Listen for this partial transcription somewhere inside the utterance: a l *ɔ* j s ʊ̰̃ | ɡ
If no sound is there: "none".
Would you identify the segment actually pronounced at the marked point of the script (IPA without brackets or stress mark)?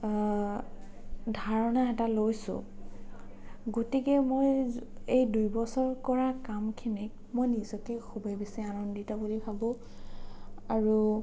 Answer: o